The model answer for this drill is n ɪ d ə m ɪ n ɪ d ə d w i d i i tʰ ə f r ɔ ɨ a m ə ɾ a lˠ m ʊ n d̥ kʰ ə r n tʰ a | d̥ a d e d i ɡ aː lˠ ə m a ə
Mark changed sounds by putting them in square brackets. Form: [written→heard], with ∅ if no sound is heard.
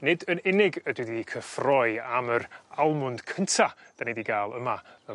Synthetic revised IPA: n ɪ d ə [m→n] ɪ n ɪ [d→ɡ] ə d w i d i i [tʰ→kʰ] ə f r ɔ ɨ a m ə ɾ a lˠ m ʊ n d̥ kʰ ə [r→∅] n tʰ a | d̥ a [d→n] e d i ɡ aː lˠ ə m a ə

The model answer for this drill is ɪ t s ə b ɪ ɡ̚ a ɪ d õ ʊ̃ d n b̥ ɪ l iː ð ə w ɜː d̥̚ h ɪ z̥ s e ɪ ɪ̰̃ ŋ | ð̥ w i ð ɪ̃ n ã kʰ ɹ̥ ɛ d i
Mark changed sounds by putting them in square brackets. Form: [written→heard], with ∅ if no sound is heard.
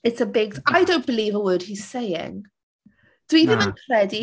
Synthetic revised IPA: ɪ t s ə b ɪ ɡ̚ a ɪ d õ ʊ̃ [d→∅] n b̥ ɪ l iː [ð→v] ə w ɜː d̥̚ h [ɪ→i] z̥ s e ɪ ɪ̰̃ ŋ | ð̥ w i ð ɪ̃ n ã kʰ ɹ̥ ɛ d i

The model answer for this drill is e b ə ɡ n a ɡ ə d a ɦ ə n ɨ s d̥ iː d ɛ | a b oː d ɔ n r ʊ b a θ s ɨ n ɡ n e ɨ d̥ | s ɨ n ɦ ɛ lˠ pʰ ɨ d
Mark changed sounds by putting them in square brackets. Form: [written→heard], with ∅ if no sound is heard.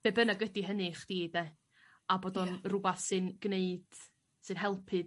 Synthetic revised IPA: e b ə [ɡ→∅] n a ɡ ə d [a→i] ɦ ə n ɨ [s→χ] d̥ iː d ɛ | a b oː d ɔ n r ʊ b a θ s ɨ n ɡ n e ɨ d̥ | s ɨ n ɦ ɛ lˠ pʰ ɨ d

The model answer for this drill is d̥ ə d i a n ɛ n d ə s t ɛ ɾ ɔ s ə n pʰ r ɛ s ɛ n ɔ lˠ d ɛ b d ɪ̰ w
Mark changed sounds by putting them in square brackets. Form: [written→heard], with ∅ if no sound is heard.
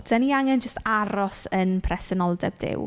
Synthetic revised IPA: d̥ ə [d→n] i a [n→ŋ] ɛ n [d→d͡ʒ] ə s t [ɛ→a] ɾ ɔ s ə n pʰ r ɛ s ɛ n ɔ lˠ d ɛ b d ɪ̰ w

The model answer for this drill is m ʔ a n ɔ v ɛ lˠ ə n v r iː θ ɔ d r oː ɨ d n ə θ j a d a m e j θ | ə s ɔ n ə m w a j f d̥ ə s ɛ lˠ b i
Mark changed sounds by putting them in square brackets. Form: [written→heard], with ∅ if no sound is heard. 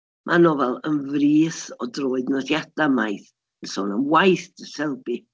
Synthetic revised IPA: m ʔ a n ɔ v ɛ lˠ ə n v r iː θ ɔ d r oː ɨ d n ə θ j a d a m [e→a] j θ | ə s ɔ n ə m w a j [f→θ] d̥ ə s ɛ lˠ b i

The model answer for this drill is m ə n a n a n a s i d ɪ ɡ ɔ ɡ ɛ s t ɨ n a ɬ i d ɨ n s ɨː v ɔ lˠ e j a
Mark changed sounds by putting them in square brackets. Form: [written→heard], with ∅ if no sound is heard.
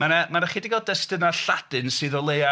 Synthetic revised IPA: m [ə→a] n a [n→m] a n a [s→χ] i d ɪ ɡ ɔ [ɡ→d] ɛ s t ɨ n a ɬ [i→a] d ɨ n s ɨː [v→ð] ɔ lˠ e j a

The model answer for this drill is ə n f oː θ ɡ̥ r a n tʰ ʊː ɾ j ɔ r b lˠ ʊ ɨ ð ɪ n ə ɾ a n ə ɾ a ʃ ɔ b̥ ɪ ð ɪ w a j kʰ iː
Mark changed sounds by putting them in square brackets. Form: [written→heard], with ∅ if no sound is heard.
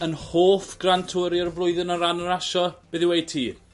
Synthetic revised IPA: ə n [f→h] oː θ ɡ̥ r a n tʰ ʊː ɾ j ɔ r [b→v] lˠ ʊ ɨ ð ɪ n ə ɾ a n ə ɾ a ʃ ɔ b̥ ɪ ð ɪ w [a→e] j [kʰ→tʰ] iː

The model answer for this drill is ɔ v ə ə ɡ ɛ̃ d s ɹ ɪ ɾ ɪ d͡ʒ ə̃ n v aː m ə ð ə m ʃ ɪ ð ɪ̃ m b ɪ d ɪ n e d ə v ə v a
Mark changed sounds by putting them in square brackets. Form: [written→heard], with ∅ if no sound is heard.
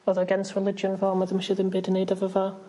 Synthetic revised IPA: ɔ [v→ð] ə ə ɡ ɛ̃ [d→n] s ɹ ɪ [ɾ→l] ɪ d͡ʒ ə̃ n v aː m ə ð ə m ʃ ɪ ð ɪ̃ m b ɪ d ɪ n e d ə v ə v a

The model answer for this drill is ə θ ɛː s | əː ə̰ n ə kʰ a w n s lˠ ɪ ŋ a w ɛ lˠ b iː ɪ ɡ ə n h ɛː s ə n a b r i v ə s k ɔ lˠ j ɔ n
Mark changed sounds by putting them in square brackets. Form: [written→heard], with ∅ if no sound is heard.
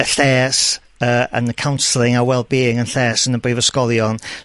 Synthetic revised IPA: ə θ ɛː s | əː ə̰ n ə kʰ a w n s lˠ ɪ ŋ a w ɛ lˠ b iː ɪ [ɡ→ŋ] ə n [h→θ] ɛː s ə n [a→ə] b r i v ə s k ɔ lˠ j ɔ n

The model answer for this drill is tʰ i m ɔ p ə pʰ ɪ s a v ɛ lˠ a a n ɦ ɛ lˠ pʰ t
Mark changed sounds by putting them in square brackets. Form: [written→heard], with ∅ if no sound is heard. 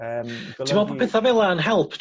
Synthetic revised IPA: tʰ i m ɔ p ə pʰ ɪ [s→θ] a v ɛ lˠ a [a→ə] n ɦ ɛ lˠ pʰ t

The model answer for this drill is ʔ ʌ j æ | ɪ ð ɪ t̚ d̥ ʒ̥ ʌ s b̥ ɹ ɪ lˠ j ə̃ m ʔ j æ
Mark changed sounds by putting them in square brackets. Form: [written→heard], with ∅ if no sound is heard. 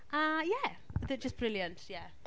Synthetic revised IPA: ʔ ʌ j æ | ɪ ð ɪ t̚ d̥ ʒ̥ ʌ s b̥ ɹ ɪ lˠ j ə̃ [m→n] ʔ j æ

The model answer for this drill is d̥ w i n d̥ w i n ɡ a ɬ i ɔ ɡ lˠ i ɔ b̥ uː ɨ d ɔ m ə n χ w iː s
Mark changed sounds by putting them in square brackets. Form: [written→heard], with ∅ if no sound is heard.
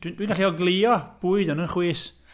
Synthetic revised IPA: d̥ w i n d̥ w i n ɡ a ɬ i ɔ ɡ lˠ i ɔ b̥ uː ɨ d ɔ [m→n] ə n χ w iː s

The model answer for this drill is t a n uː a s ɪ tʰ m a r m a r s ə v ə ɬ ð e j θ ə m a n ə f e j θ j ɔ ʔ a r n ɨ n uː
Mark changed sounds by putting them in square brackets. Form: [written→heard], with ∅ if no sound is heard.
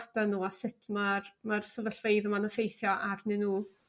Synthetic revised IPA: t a n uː a s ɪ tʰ m a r m a r s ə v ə ɬ [ð→v] e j [θ→ð] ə m a n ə f e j θ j ɔ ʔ a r n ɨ n uː

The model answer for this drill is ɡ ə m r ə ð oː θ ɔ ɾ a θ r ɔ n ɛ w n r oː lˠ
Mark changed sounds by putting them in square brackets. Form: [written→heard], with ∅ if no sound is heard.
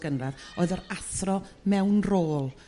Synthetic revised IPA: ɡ ə [m→n] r [ə→a] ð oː [θ→ð] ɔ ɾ a θ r ɔ [n→m] ɛ w n r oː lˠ

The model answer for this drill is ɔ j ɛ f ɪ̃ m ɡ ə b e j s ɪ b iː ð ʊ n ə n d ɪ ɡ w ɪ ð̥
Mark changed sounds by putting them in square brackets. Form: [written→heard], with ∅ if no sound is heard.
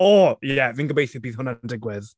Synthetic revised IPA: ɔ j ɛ [f→v] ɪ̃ [m→ŋ] ɡ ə b e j [s→θ] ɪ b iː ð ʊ n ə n d ɪ ɡ w ɪ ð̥

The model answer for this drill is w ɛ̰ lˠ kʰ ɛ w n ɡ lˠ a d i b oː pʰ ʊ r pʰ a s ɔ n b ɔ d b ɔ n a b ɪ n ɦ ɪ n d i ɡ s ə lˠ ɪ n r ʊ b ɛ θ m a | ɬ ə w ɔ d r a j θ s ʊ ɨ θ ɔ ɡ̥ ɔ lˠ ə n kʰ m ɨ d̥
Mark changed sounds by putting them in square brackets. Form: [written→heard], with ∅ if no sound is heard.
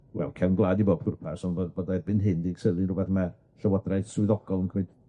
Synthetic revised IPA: w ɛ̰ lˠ kʰ ɛ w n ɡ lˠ a d i b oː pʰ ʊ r pʰ a s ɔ n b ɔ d b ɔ [n→d] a b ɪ n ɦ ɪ n d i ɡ s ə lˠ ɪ n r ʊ b ɛ θ m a | ɬ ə w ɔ d r a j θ s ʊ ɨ [θ→ð] ɔ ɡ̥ ɔ lˠ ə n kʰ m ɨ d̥

